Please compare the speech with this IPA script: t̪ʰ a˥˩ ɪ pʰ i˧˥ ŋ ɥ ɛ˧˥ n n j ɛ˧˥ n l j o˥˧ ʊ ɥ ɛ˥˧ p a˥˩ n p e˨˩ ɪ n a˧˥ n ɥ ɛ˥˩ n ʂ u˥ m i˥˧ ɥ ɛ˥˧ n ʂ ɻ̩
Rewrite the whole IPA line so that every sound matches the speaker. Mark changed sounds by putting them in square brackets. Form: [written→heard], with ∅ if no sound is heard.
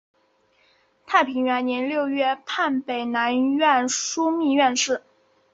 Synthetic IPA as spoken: t̪ʰ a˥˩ ɪ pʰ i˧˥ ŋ ɥ ɛ˧˥ n n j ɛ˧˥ n l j o˥˧ ʊ ɥ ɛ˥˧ [p→pʰ] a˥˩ n p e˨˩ ɪ n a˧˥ n ɥ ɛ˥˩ n ʂ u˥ m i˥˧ ɥ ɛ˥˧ n ʂ ɻ̩